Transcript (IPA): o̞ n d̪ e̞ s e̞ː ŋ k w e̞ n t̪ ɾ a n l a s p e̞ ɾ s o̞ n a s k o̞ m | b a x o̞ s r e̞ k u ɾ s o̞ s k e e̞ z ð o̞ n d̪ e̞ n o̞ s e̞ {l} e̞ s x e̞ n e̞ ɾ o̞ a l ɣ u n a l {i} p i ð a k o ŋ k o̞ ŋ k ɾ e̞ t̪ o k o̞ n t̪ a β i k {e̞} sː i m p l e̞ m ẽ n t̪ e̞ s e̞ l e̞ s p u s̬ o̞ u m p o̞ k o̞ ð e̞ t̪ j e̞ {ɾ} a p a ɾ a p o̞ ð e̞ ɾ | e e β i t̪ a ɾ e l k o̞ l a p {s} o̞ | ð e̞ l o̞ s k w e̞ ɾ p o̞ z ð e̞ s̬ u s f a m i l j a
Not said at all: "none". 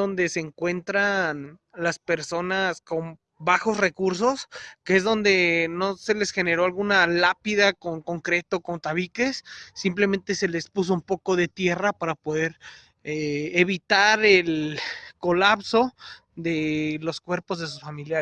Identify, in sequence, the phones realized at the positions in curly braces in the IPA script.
l, a, e̞, r, s

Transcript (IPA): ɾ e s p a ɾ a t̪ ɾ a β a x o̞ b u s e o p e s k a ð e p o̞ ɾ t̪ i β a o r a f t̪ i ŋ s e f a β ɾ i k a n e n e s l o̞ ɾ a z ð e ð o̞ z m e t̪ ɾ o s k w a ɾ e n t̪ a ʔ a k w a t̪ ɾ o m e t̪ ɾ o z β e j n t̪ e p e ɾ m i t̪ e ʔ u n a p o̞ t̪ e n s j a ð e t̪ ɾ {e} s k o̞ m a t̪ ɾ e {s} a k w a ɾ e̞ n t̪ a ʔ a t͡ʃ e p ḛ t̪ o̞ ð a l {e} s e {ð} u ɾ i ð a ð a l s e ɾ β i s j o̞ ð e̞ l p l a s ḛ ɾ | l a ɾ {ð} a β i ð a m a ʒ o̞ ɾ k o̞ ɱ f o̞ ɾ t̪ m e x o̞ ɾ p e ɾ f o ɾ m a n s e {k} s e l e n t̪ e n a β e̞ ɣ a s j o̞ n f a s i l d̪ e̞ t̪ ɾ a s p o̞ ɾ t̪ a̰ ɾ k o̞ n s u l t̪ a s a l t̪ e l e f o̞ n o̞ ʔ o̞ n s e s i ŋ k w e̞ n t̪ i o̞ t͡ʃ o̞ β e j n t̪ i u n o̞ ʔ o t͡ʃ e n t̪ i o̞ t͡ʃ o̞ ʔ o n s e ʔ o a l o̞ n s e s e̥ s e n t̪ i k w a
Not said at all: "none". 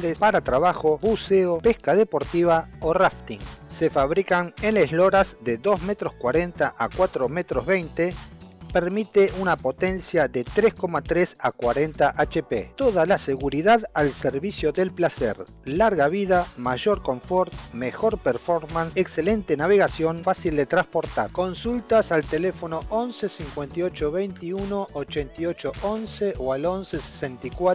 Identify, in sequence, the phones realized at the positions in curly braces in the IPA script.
e, s, a, ɣ, ɣ, k

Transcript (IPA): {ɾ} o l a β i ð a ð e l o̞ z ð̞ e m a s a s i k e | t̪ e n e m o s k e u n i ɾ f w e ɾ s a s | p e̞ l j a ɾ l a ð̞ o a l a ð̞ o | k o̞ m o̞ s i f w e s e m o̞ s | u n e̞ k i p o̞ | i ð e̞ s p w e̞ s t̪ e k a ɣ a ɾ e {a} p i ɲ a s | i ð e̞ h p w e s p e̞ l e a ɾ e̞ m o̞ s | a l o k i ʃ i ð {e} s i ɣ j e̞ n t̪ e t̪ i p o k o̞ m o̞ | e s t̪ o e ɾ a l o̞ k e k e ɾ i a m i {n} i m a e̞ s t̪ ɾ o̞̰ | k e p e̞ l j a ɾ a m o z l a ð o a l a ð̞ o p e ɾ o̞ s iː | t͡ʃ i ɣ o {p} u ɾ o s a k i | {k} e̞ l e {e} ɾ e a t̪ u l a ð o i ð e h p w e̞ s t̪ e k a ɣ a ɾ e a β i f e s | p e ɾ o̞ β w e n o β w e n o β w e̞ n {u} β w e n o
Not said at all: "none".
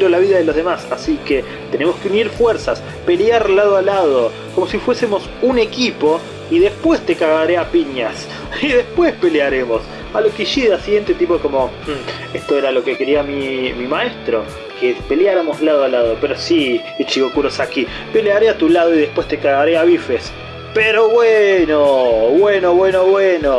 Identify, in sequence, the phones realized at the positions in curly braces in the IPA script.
ɾ, a, a, m, k, p, a, o

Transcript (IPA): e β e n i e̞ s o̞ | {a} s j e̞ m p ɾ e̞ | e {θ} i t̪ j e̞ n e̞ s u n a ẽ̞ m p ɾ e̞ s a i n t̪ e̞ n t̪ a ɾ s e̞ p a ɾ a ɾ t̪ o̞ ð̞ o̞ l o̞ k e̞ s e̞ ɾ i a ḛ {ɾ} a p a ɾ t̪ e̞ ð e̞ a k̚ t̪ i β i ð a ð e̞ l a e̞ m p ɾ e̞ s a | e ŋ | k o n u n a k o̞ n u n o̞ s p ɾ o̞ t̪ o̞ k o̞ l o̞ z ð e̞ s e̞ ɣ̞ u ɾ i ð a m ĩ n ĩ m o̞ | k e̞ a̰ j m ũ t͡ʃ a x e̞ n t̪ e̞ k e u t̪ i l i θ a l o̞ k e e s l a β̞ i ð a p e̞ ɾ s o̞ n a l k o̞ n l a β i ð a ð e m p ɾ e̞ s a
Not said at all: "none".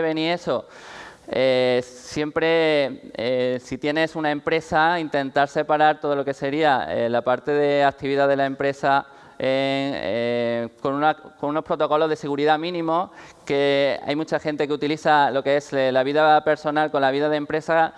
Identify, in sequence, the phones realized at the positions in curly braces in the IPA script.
e, s, l

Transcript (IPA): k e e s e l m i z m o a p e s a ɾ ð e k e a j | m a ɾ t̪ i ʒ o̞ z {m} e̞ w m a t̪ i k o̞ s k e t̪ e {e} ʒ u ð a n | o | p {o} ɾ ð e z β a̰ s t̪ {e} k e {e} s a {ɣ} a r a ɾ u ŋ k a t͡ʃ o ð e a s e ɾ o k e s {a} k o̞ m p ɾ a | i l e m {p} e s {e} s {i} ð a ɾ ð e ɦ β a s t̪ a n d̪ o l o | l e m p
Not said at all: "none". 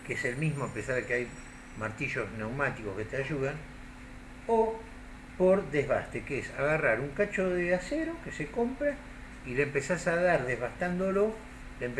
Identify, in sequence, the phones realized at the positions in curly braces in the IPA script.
n, a, o, e, e, ɣ, e, p, a, a

